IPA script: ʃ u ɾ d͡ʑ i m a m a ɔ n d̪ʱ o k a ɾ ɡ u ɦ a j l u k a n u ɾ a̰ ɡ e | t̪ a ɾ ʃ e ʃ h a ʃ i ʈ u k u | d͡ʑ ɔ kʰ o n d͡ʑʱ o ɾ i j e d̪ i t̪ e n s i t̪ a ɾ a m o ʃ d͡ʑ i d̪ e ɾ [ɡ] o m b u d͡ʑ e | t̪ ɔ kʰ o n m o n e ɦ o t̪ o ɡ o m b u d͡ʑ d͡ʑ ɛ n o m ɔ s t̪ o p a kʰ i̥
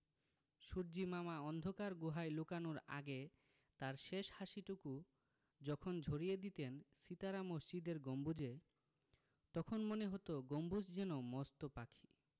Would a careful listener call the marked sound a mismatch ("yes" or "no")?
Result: no